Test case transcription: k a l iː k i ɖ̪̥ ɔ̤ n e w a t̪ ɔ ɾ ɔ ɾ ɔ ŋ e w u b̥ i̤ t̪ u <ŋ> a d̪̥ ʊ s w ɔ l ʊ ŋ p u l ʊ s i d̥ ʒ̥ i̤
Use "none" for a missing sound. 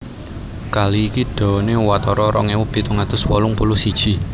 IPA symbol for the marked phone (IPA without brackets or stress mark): ŋ